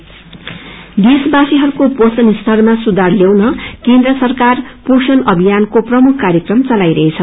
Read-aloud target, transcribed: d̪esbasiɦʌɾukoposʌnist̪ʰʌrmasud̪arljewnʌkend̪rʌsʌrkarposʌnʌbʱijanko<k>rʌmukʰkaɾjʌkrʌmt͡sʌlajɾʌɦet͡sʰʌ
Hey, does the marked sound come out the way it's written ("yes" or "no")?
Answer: no